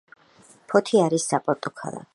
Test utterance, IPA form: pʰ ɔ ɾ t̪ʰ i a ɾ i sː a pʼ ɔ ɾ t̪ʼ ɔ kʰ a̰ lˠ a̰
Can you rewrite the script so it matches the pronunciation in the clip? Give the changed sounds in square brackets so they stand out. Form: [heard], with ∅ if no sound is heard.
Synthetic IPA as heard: pʰ ɔ [∅] t̪ʰ i a ɾ i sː a pʼ ɔ ɾ t̪ʼ ɔ kʰ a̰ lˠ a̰